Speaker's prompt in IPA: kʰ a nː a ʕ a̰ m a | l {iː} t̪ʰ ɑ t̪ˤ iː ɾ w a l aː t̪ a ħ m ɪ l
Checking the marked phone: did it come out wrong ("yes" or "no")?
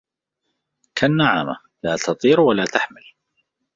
yes